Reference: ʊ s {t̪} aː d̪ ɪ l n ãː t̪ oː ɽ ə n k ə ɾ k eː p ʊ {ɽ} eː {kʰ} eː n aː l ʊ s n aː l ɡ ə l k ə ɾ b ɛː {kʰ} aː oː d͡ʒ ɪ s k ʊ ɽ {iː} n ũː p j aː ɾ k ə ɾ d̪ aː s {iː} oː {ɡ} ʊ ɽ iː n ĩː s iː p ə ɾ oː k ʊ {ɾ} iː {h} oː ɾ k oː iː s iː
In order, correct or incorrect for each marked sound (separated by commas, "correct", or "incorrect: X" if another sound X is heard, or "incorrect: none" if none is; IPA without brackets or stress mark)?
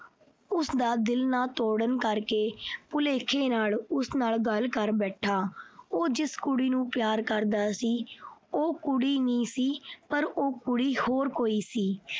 incorrect: d̪, incorrect: l, correct, incorrect: ʈʰ, correct, correct, incorrect: k, incorrect: ɽ, correct